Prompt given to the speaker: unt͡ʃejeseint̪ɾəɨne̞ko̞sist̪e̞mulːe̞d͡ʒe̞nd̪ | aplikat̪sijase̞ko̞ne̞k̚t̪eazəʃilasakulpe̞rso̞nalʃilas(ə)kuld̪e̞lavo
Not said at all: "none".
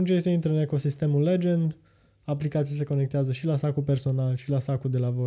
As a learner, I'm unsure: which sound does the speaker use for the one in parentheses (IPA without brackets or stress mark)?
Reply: a